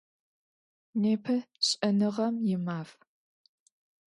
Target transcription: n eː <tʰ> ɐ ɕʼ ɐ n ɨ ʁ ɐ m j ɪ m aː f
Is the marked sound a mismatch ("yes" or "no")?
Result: yes